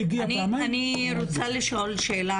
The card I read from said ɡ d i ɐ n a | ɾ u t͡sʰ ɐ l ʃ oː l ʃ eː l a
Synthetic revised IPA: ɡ n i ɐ n i | ɾ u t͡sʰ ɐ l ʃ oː l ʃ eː l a